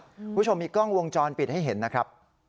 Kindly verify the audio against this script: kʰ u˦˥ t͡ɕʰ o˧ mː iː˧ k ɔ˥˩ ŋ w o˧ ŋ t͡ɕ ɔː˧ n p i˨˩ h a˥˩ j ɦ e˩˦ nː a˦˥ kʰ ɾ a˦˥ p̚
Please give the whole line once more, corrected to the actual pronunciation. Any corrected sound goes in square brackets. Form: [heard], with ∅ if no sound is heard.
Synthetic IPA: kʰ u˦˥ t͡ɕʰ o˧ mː iː˧ k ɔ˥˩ ŋ w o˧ ŋ t͡ɕ ɔː˧ n p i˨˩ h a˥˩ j ɦ e˩˦ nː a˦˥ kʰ ɾ a˦˥ p̚